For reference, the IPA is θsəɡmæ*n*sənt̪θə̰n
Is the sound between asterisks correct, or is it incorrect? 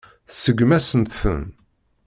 incorrect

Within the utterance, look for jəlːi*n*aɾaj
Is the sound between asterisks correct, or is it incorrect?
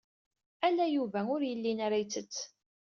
correct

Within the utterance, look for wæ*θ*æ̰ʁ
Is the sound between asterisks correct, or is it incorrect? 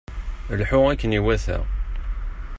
correct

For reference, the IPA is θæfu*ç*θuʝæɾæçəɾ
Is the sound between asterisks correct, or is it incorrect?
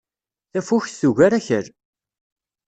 correct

